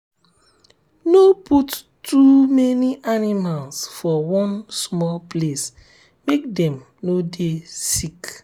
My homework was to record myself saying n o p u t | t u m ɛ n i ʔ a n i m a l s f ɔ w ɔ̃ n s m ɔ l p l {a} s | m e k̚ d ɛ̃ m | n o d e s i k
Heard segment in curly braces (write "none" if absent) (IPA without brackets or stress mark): e